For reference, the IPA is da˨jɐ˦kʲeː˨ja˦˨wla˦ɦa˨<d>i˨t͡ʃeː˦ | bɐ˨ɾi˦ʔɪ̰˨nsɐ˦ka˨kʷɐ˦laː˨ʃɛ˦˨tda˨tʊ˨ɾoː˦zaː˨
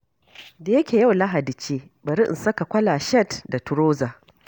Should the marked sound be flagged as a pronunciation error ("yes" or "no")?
no